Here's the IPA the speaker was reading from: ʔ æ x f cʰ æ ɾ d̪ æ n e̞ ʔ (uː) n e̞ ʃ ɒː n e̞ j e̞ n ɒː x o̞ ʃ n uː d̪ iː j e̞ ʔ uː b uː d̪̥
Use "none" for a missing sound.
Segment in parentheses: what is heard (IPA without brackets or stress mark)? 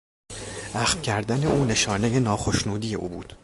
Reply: uː